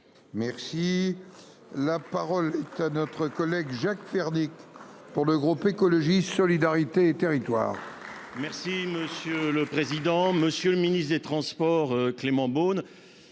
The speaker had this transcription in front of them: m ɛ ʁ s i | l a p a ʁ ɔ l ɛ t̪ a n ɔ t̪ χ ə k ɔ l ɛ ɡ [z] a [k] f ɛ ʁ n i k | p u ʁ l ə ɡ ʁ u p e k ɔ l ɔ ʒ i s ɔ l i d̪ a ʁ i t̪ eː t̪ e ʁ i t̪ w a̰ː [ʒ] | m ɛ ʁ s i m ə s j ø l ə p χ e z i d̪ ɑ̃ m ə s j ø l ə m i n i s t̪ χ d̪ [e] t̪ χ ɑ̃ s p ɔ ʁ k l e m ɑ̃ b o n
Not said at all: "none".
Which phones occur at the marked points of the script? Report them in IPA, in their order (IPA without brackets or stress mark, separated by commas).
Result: ʒ, k, ʁ, e